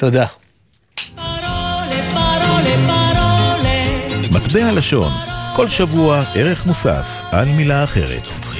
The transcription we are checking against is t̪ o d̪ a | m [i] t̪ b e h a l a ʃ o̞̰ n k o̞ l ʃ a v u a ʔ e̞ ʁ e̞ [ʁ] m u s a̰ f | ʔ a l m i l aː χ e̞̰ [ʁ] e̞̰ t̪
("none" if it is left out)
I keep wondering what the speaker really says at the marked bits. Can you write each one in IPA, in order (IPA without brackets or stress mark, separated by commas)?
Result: a, χ, ʁ